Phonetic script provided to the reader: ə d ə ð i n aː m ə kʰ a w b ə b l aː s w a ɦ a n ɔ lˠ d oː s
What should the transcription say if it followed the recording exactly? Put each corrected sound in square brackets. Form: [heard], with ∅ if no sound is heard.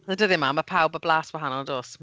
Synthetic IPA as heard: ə d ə ð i [m] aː m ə [pʰ] a w b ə b l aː s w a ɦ a n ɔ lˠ d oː s